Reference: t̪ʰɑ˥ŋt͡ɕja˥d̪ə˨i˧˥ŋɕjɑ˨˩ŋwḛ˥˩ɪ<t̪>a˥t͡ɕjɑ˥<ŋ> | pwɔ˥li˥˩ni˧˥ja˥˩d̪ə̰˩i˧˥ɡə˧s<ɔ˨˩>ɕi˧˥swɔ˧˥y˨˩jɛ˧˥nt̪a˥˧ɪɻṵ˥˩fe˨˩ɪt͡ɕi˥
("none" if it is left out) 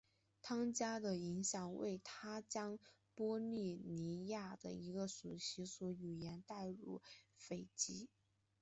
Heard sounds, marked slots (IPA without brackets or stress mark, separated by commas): t̪ʰ, ŋ, u˨˩